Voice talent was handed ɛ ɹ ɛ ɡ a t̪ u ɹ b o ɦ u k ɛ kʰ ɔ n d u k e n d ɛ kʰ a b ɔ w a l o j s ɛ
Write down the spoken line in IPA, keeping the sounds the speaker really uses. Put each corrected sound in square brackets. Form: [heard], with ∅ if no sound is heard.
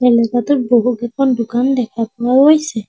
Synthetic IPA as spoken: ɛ [l] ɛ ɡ a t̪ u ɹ b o ɦ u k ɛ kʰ ɔ n d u k [a] n d ɛ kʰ a [p] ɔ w a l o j s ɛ